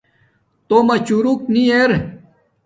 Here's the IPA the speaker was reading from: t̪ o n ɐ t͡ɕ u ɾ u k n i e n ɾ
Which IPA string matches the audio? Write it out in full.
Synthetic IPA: t̪ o m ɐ t͡ɕ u ɾ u k n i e ɾ